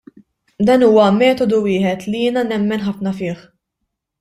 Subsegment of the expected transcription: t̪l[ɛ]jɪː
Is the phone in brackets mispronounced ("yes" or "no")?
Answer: yes